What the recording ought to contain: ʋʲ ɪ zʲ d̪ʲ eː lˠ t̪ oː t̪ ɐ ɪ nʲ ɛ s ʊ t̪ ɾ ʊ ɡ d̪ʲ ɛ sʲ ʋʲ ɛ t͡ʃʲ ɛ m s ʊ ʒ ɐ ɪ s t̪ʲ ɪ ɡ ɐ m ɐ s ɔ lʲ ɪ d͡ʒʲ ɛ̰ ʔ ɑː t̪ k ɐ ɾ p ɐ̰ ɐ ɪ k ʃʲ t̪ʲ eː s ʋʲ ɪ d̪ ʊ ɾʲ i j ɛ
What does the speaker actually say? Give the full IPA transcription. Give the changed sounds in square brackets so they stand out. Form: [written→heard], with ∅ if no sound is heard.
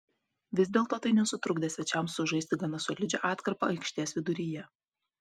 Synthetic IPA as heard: ʋʲ ɪ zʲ d̪ʲ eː lˠ t̪ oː t̪ ɐ ɪ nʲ ɛ s ʊ t̪ ɾ ʊ ɡ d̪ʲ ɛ sʲ ʋʲ ɛ t͡ʃʲ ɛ m s ʊ ʒ ɐ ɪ s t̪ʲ ɪ ɡ ɐ [m→n] ɐ s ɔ lʲ ɪ d͡ʒʲ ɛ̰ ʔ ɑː t̪ k ɐ ɾ p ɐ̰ ɐ ɪ k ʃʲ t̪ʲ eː s ʋʲ ɪ d̪ ʊ ɾʲ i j ɛ